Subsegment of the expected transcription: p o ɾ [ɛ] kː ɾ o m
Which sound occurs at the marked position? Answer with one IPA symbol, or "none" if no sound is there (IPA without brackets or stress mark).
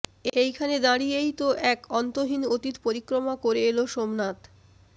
i